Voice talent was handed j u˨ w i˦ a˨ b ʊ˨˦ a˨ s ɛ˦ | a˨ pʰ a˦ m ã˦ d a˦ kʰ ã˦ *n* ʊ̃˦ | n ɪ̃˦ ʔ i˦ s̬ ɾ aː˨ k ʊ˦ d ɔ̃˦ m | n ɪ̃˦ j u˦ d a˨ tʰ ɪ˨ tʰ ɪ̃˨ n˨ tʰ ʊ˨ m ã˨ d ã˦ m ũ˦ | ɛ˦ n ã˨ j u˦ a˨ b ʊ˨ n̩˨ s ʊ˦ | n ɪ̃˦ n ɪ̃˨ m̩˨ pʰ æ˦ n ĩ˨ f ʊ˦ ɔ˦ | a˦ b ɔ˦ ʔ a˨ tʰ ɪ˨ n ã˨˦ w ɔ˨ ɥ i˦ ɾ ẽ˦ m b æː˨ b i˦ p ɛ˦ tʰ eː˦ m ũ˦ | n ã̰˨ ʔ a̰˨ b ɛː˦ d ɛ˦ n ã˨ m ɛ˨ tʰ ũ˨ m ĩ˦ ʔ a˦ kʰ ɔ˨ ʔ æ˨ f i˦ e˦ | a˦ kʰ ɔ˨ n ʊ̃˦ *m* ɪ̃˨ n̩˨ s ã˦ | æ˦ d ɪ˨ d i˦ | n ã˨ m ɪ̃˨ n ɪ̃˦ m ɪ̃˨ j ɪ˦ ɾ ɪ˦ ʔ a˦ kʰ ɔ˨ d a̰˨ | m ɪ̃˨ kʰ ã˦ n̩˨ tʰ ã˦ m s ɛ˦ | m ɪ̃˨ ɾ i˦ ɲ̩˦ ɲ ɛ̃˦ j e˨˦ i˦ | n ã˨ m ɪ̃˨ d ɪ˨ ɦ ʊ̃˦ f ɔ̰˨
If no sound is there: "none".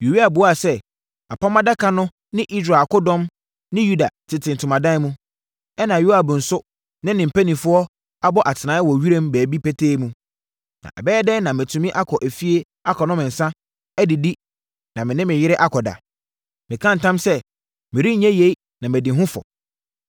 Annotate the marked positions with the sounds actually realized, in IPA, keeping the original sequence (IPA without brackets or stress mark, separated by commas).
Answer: n, m